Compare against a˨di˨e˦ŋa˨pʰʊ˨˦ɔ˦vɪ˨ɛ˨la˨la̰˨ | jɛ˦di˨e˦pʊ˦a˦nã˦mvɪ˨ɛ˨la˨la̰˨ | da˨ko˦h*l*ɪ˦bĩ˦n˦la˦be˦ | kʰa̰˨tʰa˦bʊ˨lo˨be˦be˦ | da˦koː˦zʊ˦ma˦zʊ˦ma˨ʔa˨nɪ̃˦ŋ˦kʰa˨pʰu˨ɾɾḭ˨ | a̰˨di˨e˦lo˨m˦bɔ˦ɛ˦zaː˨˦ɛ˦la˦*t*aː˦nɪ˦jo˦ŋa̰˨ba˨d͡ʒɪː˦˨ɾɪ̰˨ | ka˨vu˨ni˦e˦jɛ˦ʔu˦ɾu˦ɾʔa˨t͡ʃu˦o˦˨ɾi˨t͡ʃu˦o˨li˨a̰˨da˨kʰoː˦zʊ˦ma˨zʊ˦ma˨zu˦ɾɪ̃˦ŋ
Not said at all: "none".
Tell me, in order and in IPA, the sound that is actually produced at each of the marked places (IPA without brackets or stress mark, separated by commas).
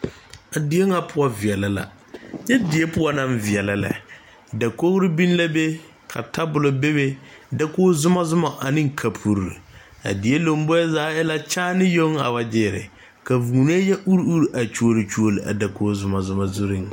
ɾ, t͡ʃ